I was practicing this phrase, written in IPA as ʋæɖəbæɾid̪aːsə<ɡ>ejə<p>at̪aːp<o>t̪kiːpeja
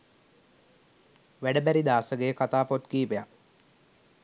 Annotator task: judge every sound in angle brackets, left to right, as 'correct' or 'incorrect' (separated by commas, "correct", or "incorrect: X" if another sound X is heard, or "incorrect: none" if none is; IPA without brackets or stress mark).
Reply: correct, incorrect: k, correct